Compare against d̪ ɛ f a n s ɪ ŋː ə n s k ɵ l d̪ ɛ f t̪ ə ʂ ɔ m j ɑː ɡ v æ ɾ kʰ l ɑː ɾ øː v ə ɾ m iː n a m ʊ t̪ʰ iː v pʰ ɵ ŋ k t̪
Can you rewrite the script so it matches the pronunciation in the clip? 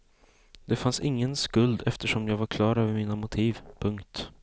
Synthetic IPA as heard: d̪ ɛ f a n s ɪ ŋː ə n s k ɵ l d̪ ɛ f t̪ ə ʂ ɔ m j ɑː ɡ v a ɾ kʰ l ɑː ɾ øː v ə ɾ m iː n a m ʊ t̪ʰ iː v pʰ ɵ ŋ k t̪

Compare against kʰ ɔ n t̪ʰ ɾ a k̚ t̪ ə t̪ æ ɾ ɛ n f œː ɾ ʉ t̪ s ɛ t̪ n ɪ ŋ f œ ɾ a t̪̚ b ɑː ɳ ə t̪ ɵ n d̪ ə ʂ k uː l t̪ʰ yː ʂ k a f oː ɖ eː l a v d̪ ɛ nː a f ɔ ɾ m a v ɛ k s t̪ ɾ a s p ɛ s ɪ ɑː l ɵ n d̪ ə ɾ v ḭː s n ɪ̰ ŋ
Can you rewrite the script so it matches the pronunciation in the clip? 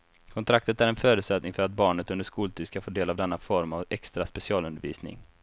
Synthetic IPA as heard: kʰ ɔ n t̪ʰ ɾ a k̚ t̪ ə t̪ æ ɾ ɛ n f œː ɾ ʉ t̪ s ɛ t̪ n ɪ ŋ f œ ɾ a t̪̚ b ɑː ɳ ə t̪ ɵ n d̪ ə ʂ k uː l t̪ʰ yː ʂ k a f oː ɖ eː l a v d̪ ɛ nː a f ɔ ɾ m a v ɛ k s t̪ ɾ a s p ɛ s ɪ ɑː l ɵ n d̪ ə ɾ v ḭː s n ɪ̰ ŋ

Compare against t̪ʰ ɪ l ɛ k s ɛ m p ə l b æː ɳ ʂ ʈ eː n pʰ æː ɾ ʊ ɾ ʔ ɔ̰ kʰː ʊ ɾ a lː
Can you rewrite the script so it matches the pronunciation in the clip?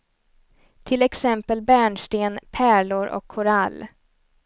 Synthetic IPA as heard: t̪ʰ ɪ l ɛ k s ɛ m p ə l b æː ɳ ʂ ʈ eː n pʰ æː ɭ ʊ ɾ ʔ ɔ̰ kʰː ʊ ɾ a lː

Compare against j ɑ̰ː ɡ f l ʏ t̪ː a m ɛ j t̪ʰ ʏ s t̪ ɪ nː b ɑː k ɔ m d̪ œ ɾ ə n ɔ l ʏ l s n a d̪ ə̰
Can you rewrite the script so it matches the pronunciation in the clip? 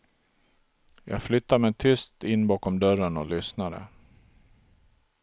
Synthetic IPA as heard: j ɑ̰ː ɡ f l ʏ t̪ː a m ɛ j t̪ʰ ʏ s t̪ ɪ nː b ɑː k ɔ m d̪ œ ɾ ə n ɔ l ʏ s n a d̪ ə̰

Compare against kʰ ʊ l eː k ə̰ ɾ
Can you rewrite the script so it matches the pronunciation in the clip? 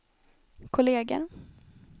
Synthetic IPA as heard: kʰ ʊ l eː ɡ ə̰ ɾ

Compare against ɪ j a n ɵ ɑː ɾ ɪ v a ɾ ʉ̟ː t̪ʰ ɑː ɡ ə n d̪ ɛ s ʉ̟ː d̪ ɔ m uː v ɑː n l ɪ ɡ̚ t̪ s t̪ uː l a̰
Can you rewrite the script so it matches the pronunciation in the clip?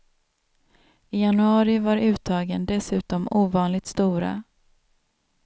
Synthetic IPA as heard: ɪ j a n ɵ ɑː ɾ ɪ v a ɾ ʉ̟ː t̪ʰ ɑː ɡ ə n d̪ ɛ s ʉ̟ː t̪ ɔ m uː v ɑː n l ɪ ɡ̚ t̪ s t̪ uː ɾ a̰

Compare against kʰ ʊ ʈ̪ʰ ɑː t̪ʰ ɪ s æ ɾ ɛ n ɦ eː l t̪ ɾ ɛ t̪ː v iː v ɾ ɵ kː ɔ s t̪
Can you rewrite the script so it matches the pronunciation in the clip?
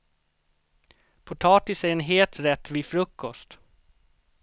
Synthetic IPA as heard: pʰ ʊ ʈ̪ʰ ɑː t̪ ɪ s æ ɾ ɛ n ɦ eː l t̪ ɾ ɛ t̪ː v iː f ɾ ɵ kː ɔ s t̪

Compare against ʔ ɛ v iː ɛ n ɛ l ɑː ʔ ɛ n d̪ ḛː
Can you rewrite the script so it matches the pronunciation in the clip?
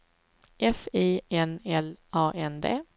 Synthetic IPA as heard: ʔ ɛ f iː ɛ n ɛ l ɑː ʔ ɛ n d̪ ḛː

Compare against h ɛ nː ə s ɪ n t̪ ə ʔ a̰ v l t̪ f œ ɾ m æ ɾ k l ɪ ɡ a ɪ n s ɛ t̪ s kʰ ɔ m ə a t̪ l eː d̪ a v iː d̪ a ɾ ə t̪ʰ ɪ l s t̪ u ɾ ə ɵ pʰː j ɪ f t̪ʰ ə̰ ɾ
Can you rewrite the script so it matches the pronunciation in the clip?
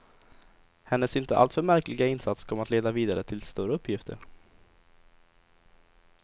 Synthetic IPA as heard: h ɛ nː ə s ɪ n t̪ ə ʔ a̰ l t̪ f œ ɾ m æ ɾ k l ɪ ɡ a ɪ n s a t̪ s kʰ ɔ m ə a t̪ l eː d̪ a v iː d̪ a ɾ ə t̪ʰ ɪ l s t̪ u ɾ ə ɵ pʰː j ɪ f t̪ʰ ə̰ ɾ

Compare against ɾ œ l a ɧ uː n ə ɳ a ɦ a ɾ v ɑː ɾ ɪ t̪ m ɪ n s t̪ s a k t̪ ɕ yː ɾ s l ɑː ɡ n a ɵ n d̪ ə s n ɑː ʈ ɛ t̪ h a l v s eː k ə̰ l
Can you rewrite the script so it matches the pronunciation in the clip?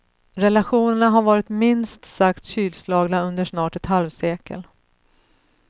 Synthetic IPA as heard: ɾ ɛ l a ɧ uː n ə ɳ a ɦ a ɾ v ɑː ɾ ɪ t̪ m ɪ n s t̪ s a k t̪ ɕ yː l s l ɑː ɡ n a ɵ n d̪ ə ʂ n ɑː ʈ ɛ t̪ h a l v s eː k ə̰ l

